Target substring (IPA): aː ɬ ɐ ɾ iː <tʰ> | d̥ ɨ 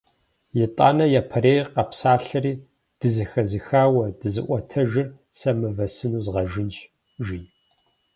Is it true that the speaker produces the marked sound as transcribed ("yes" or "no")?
no